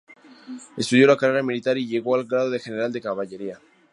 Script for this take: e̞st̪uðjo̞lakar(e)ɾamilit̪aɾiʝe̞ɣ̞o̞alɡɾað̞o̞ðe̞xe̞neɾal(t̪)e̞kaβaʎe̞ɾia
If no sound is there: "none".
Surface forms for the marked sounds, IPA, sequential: e, d̪

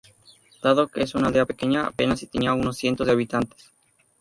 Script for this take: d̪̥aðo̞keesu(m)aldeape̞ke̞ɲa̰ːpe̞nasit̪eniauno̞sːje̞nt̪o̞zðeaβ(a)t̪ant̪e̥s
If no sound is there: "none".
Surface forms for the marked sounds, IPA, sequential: n, i

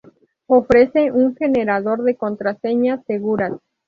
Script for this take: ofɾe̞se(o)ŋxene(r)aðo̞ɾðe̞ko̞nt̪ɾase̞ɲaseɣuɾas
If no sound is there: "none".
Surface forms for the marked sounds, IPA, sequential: u, ɾ

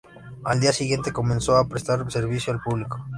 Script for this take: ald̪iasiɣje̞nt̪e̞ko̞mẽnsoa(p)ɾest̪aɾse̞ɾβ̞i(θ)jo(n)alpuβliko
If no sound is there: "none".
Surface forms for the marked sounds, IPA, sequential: p, s, none

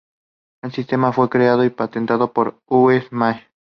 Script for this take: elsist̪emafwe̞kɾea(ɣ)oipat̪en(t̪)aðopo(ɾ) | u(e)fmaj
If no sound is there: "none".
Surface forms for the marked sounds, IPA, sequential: ð, t̪, ɾ, e

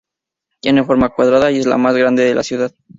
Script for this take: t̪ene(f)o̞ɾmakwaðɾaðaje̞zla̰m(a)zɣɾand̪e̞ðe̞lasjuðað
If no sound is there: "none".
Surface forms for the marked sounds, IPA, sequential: f, a

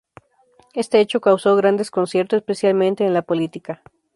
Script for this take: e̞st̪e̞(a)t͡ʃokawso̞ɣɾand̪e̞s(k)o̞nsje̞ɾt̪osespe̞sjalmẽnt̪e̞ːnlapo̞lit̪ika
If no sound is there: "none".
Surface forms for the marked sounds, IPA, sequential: e, k

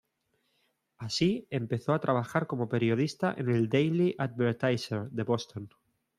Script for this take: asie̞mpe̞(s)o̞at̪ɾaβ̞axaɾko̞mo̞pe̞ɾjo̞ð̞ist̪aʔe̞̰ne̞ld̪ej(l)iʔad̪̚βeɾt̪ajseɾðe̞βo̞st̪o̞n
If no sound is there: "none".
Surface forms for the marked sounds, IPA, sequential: θ, l

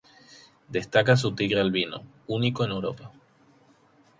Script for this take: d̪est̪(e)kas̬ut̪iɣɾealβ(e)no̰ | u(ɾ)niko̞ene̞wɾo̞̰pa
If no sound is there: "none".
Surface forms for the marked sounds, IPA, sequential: a, i, none

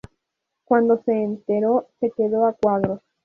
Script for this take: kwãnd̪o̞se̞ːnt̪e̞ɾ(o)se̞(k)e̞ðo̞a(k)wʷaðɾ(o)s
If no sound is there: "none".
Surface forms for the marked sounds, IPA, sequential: o, k, k, o

